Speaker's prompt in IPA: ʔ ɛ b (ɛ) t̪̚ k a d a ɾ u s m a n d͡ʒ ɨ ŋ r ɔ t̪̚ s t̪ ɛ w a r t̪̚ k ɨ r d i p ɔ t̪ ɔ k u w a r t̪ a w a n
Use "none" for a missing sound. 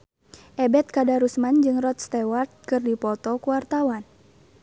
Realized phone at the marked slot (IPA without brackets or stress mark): ɛ